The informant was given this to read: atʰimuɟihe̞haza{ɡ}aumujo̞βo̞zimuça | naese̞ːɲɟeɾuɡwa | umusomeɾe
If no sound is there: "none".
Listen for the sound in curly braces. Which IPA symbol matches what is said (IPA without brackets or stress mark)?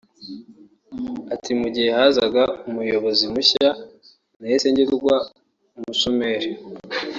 ɡ